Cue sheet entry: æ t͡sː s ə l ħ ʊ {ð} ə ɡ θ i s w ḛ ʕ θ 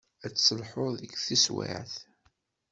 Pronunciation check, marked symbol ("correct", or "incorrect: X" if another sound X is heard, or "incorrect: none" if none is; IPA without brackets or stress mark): correct